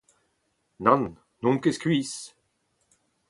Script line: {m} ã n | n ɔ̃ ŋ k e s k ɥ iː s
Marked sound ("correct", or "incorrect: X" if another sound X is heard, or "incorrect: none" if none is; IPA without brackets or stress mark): incorrect: n